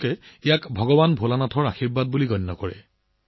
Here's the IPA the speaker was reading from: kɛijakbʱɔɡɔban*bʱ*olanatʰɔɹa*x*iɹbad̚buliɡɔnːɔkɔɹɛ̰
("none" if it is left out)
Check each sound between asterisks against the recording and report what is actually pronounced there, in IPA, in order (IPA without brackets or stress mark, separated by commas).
bʱ, x